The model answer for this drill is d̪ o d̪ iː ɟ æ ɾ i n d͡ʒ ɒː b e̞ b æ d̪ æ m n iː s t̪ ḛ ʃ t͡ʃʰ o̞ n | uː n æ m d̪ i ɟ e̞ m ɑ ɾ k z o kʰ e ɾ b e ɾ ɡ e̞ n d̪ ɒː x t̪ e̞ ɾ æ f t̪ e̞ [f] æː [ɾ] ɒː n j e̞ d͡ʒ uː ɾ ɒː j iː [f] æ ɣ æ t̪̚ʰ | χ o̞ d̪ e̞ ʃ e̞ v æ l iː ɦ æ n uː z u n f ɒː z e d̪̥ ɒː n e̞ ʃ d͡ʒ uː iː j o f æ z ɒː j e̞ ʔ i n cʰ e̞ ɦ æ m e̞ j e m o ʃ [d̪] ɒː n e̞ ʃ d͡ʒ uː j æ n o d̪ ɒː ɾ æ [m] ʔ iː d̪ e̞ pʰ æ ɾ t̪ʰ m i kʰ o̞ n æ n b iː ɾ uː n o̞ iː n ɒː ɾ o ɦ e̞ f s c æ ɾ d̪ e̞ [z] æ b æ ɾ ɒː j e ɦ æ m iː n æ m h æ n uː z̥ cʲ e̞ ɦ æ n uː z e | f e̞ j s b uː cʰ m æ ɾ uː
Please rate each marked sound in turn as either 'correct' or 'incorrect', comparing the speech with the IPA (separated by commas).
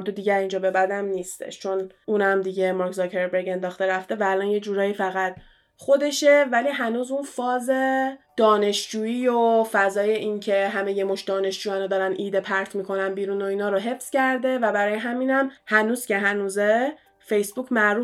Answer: incorrect, incorrect, correct, correct, incorrect, incorrect